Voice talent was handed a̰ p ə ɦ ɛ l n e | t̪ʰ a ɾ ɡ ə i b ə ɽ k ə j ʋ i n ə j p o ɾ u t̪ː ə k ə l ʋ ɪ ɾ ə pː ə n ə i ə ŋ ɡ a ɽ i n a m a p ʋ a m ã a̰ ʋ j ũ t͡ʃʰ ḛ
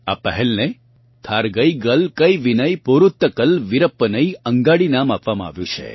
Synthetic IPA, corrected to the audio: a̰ p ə ɦ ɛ l n e | t̪ʰ a ɾ ɡ ə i ɡ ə l k ə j ʋ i n ə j p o ɾ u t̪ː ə k ə l ʋ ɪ ɾ ə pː ə n ə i ə ŋ ɡ a ɽ i n a m a p ʋ a m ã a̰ ʋ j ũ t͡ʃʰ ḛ

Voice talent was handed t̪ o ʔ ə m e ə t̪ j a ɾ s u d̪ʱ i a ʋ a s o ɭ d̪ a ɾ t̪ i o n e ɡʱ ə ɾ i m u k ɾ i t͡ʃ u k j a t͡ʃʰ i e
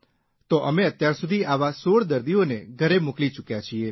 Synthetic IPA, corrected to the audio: t̪ o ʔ ə m e ə t̪ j a ɾ s u d̪ʱ i a ʋ a s o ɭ d̪ ə ɾ d̪ i o n e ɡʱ ə ɾ e m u k l i t͡ʃ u k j a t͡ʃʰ i e

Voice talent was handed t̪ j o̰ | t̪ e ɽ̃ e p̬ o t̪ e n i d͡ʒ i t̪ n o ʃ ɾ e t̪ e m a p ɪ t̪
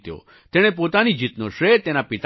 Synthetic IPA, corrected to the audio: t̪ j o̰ | t̪ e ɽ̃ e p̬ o t̪ a n i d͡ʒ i t̪ n o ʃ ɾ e t̪ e n a p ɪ t̪

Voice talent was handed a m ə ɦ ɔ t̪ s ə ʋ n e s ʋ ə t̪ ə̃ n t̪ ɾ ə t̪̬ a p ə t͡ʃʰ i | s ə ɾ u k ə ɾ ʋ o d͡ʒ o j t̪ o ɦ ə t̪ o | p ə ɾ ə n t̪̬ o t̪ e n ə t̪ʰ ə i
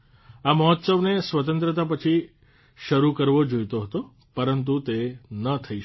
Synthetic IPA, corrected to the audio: a m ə ɦ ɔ t̪ s ə ʋ n e s ʋ ə t̪ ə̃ n t̪ ɾ ə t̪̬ a p ə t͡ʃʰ i | ʃ ə ɾ u k ə ɾ ʋ o d͡ʒ o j t̪ o ɦ ə t̪ o | p ə ɾ ə n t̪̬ u t̪ e n ə t̪ʰ ə i

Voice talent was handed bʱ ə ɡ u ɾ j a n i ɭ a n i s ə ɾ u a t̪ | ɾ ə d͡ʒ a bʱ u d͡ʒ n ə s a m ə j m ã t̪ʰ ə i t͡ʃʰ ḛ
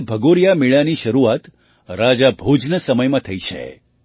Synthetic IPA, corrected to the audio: bʱ ə ɡ o ɾ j a m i ɭ a n i ʃ ə ɾ u a t̪ | ɾ a d͡ʒ a bʱ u d͡ʒ n ə s ə m ə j m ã t̪ʰ ə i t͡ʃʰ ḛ

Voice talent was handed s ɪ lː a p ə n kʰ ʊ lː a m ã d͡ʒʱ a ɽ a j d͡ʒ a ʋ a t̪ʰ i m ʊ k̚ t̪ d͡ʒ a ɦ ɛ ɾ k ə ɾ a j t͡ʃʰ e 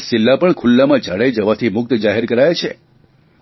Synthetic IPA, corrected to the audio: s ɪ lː a p ə ɳ kʰ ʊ lː a m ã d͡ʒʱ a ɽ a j d͡ʒ ə ʋ a t̪ʰ i m ʊ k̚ t̪ d͡ʒ a ɦ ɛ ɾ k ə ɾ a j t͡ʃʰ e

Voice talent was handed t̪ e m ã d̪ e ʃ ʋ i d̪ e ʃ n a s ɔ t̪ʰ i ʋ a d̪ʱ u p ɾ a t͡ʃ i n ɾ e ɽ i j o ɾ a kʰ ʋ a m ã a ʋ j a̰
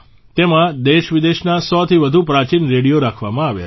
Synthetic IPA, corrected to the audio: t̪ e m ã d̪ e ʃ ʋ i d̪ e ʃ n a s ɔ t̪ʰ i ʋ ə d̪ʱ u p ɾ a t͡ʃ i n ɾ e ɽ i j o ɾ a kʰ ʋ a m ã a ʋ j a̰

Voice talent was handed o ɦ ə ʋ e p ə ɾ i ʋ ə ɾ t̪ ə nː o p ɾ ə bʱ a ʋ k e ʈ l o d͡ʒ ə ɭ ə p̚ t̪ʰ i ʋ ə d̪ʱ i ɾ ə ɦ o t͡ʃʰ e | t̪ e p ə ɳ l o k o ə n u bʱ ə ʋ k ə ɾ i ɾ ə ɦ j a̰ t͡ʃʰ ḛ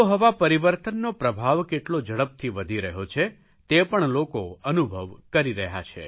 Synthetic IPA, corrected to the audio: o ɦ ə ʋ a p ə ɾ i ʋ ə ɾ t̪ ə nː o p ɾ ə bʱ a ʋ k e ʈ l o d͡ʒ ə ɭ ə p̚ t̪ʰ i ʋ ə d̪ʱ i ɾ ə ɦ o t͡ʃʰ e | t̪ e p ə ɳ l o k o ə n u bʱ ə ʋ k ə ɾ i ɾ ə ɦ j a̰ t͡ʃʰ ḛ

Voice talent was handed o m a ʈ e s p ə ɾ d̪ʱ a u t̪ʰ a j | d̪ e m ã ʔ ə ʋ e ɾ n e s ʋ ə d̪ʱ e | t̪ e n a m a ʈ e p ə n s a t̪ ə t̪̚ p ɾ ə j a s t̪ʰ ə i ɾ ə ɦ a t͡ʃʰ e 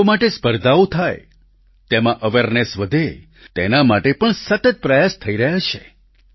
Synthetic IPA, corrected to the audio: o m a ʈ e s p ə ɾ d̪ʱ a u t̪ʰ a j | t̪ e m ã ʔ ə ʋ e ɾ n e s ʋ ə d̪ʱ e | t̪ e n a m a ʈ e p ə ɳ s ə t̪ ə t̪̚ p ɾ ə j a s t̪ʰ ə i ɾ ə ɦ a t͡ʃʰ e

